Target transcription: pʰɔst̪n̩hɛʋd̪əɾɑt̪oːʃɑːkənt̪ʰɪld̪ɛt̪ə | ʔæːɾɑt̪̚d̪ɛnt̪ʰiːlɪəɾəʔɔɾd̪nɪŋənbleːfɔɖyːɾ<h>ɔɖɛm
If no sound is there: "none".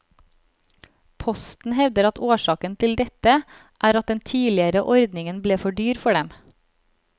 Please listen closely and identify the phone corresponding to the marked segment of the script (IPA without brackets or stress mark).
f